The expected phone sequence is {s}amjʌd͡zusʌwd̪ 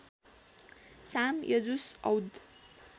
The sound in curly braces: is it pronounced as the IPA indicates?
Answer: yes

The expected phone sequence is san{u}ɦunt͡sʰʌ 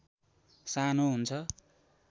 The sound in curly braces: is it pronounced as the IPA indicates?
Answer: no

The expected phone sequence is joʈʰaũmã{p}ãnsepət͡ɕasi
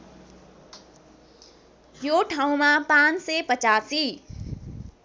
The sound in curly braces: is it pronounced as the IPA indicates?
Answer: yes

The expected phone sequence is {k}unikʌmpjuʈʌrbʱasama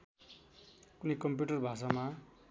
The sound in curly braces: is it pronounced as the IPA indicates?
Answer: yes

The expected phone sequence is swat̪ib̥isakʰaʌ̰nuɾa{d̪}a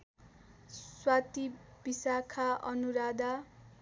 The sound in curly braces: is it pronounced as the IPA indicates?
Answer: yes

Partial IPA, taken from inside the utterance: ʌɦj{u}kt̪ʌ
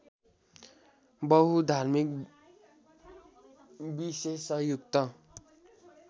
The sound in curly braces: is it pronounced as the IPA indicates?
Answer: yes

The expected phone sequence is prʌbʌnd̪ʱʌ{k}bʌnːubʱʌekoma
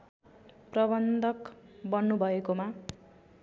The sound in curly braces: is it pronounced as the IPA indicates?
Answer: yes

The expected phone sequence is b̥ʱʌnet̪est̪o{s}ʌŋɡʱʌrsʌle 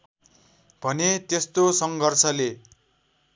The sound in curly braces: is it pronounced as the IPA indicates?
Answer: yes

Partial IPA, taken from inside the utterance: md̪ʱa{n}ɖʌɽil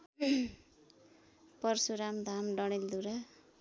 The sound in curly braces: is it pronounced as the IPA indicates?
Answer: no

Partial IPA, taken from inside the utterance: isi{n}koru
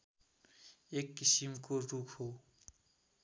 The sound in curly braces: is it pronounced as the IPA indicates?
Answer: no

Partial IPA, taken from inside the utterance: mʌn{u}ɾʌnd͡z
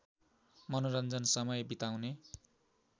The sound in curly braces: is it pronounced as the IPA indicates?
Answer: no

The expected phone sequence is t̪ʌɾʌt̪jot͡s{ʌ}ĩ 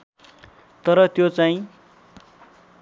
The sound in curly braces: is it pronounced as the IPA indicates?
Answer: no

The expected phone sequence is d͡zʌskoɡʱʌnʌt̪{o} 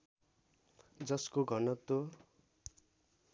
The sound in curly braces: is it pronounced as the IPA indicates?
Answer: yes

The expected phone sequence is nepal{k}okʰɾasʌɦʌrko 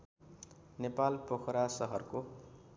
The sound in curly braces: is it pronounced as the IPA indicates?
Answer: no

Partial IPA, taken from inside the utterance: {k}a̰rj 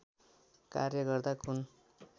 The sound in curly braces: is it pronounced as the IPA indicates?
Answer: yes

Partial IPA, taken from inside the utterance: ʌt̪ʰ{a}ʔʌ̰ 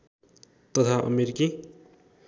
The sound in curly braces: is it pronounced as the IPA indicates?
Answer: yes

